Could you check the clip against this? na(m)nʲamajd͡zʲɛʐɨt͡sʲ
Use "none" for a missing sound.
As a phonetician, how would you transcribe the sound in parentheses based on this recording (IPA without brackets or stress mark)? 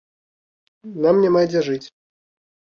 m